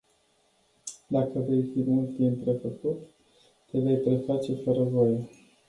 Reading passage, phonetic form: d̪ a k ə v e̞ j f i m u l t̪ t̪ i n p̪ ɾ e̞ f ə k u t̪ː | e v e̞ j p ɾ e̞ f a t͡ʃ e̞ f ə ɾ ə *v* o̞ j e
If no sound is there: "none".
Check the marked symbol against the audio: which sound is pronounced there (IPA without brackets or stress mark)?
v